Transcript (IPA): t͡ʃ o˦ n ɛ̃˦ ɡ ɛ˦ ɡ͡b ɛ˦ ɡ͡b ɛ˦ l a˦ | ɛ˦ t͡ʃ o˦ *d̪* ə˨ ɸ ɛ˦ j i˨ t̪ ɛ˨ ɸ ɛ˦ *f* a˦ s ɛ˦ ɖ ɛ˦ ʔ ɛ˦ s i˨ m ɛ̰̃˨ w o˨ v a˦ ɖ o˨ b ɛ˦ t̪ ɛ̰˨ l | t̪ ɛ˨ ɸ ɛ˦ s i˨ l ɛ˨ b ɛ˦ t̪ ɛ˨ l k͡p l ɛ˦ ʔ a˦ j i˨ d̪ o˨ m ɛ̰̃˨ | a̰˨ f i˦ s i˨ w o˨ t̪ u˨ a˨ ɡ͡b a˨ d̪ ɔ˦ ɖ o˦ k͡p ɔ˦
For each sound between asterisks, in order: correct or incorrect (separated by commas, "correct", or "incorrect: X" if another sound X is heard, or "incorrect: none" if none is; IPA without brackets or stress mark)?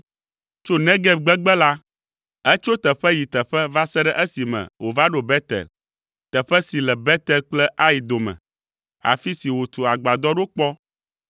incorrect: t̪, incorrect: v